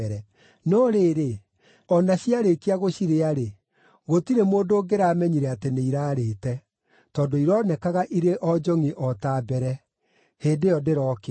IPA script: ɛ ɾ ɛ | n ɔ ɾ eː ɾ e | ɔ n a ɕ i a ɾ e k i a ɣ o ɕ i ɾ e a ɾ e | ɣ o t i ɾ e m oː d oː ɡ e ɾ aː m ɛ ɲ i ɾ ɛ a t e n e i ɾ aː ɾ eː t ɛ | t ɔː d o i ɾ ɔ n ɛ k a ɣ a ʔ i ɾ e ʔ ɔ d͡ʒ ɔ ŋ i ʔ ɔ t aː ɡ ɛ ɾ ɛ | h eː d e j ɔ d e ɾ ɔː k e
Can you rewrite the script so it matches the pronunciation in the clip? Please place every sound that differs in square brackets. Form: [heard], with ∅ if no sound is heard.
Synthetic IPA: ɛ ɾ ɛ | n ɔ ɾ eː ɾ e | ɔ n a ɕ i a ɾ e k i a ɣ o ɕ i ɾ e a ɾ e | ɣ o t i ɾ e m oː d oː ɡ e ɾ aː m ɛ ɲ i ɾ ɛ a t e n e i ɾ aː ɾ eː t ɛ | t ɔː d o i ɾ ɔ n ɛ k a ɣ a ʔ i ɾ e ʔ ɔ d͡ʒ ɔ ŋ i ʔ ɔ t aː [b] ɛ ɾ ɛ | h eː d e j ɔ d e ɾ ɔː k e